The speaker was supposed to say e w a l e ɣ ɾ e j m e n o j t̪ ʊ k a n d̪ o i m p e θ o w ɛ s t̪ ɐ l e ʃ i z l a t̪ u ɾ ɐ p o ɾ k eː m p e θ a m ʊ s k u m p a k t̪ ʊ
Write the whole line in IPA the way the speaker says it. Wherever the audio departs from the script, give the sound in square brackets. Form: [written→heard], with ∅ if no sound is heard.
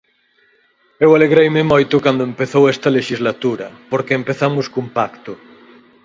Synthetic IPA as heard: e w a l e ɣ ɾ e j m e [n→m] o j t̪ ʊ k a n d̪ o [i→e] m p e θ o w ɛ s t̪ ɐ l e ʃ i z l a t̪ u ɾ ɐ p o ɾ k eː m p e θ a m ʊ s k u m p a k t̪ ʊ